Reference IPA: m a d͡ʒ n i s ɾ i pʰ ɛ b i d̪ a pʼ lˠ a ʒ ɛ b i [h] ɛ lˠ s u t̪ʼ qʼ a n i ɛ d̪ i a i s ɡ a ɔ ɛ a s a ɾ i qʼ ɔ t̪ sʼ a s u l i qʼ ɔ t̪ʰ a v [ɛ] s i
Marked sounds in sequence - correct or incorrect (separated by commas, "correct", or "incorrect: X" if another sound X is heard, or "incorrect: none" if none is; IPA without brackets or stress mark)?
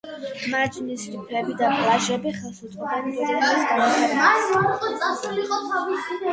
incorrect: χ, incorrect: i